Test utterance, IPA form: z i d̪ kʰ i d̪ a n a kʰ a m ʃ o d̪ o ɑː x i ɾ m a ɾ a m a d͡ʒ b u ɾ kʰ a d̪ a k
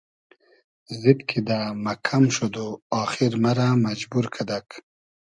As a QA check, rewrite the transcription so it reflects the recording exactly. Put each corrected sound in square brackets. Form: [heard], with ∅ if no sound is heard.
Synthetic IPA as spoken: z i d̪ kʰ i d̪ a [m] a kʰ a m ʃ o d̪ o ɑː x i ɾ m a ɾ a m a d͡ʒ b u ɾ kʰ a d̪ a k